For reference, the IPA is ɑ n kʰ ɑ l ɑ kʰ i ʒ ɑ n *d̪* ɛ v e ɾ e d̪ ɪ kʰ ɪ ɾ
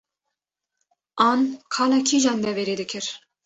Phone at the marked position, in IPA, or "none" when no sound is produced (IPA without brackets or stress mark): d̪